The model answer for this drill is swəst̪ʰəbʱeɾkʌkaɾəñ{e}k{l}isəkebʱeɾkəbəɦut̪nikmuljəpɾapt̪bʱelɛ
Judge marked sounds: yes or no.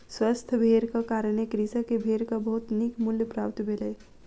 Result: yes, no

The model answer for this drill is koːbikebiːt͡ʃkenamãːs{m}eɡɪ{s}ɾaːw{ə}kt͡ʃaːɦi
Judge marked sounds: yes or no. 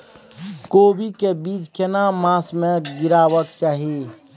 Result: yes, no, yes

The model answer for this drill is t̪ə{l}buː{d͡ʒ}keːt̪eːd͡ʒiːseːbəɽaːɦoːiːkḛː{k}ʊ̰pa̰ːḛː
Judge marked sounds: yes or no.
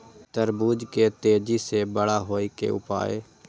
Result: no, yes, no

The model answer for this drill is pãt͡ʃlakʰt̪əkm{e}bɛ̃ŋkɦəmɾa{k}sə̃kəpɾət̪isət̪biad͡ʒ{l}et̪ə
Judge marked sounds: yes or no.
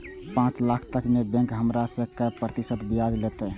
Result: yes, no, yes

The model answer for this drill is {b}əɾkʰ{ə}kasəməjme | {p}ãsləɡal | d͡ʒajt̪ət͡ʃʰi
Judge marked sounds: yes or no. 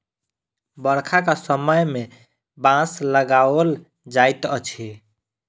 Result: yes, no, no

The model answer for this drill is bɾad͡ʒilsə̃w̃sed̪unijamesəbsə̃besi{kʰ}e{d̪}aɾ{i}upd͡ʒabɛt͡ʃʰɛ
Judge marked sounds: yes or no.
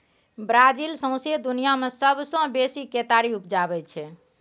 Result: no, no, yes

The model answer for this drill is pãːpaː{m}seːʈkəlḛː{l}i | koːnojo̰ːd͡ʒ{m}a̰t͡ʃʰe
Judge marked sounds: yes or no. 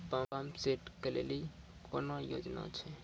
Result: yes, yes, no

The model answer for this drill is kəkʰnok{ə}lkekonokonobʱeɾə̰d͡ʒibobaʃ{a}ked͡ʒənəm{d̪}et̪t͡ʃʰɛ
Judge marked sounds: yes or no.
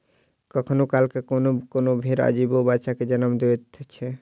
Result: no, yes, yes

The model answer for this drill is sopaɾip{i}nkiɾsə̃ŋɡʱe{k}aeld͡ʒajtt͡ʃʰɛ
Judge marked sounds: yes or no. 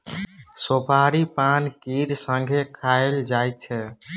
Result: no, no

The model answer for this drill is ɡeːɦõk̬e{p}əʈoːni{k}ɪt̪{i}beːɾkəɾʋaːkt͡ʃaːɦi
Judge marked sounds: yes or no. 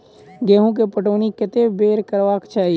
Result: yes, yes, no

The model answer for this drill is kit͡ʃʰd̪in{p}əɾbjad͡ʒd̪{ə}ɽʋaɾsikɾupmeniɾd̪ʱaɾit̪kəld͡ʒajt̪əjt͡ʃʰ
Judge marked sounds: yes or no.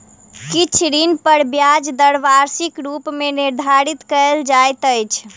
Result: yes, yes

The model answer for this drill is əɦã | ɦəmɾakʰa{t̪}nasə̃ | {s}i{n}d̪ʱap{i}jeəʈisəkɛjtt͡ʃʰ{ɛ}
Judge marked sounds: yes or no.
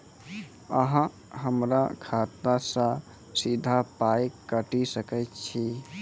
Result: yes, yes, no, no, no

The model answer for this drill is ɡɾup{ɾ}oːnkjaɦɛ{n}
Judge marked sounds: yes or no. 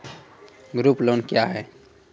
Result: no, no

